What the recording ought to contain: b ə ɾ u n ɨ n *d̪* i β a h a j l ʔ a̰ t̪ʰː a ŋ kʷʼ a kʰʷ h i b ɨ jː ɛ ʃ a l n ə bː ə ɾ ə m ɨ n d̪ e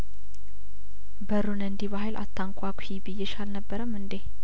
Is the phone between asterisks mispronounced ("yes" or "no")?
no